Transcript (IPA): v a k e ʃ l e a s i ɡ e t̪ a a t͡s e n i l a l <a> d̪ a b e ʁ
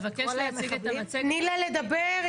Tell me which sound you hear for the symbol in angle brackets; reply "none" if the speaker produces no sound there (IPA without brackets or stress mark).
e